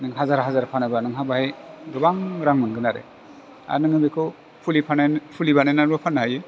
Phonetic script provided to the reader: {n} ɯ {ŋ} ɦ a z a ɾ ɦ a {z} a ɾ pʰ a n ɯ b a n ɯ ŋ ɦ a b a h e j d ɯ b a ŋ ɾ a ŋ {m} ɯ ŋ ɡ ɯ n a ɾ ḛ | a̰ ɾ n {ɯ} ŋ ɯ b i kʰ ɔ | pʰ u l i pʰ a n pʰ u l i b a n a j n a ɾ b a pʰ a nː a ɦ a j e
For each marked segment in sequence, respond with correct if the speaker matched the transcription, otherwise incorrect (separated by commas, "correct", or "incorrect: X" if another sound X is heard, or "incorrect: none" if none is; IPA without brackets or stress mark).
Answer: correct, correct, correct, correct, correct